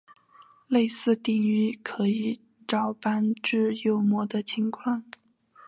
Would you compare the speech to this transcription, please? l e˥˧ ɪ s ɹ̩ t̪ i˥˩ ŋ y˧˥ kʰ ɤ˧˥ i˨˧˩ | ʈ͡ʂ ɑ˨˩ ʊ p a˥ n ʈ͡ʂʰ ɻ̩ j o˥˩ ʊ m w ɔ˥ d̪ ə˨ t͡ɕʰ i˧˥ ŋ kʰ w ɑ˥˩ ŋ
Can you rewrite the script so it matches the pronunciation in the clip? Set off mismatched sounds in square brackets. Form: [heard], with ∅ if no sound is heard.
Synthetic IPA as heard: l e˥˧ ɪ s ɹ̩ t̪ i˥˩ ŋ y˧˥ kʰ ɤ˧˥ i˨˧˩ | ʈ͡ʂ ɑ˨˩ ʊ p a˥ n [ʈ͡ʂ] ɻ̩ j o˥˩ ʊ m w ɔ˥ d̪ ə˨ t͡ɕʰ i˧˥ ŋ kʰ w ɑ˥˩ ŋ